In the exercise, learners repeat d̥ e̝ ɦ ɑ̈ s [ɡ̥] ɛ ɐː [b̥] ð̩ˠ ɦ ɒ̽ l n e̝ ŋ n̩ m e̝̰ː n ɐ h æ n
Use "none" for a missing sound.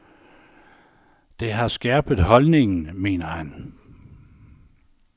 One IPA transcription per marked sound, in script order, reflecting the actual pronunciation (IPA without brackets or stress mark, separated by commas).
ɡ̥, b̥